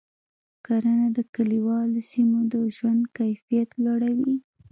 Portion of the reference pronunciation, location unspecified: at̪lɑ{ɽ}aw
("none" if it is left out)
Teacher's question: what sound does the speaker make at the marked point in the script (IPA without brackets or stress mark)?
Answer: ɽ